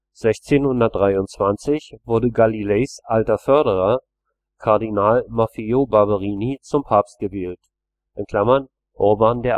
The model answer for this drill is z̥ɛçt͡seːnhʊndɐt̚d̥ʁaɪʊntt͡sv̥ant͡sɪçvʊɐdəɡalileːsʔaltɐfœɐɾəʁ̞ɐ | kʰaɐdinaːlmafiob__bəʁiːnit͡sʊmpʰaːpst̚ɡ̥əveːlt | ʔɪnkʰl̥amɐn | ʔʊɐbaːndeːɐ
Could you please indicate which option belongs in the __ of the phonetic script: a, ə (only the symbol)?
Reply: a